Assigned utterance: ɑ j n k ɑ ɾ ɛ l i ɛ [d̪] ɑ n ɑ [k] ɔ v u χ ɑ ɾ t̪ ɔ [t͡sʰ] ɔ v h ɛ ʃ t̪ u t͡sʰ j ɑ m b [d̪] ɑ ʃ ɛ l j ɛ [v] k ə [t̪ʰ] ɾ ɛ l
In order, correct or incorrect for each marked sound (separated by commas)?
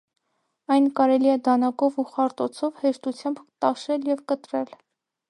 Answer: correct, correct, correct, incorrect, correct, incorrect